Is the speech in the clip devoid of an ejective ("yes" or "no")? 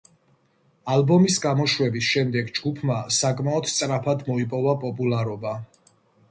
no